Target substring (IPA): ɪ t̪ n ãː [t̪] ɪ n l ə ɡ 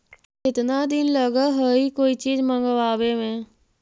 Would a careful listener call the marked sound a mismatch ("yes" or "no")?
yes